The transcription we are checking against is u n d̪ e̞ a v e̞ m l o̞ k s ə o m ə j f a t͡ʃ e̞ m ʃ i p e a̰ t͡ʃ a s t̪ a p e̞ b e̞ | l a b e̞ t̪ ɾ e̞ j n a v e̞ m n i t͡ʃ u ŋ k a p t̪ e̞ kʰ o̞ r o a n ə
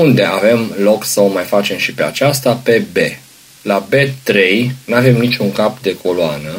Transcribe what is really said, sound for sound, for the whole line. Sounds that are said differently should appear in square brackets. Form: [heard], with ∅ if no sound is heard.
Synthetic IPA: u n d̪ e̞ a v e̞ m l o̞ k s ə o m [a] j f a t͡ʃ e̞ m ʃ i p e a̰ t͡ʃ a s t̪ a p e̞ b e̞ | l a b e̞ t̪ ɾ e̞ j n a v e̞ m n i t͡ʃ u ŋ k a p [d̪] e̞ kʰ o̞ [l] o a n ə